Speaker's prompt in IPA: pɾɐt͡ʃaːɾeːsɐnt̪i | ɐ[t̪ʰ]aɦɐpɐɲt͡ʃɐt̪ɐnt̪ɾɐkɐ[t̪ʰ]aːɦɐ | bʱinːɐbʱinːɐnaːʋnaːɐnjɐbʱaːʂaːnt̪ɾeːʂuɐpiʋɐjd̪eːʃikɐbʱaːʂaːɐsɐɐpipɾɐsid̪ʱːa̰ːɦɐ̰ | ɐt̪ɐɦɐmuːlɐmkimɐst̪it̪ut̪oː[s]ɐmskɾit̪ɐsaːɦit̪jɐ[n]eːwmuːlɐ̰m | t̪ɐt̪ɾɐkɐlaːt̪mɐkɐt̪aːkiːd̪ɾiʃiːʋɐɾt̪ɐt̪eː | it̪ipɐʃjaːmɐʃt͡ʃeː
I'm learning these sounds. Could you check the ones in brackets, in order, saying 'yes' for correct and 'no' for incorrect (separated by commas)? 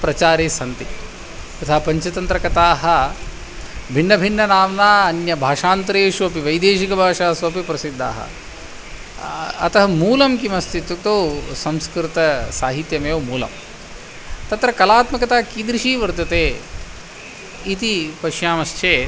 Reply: yes, no, yes, no